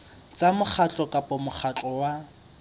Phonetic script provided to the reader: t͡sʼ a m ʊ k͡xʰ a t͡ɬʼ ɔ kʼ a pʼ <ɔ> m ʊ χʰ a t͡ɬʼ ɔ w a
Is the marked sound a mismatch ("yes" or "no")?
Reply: no